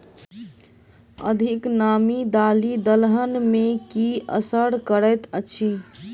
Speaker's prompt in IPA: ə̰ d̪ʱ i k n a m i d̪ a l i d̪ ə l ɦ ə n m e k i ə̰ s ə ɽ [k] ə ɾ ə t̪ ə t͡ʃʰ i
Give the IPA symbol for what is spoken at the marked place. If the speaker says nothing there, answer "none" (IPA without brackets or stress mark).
k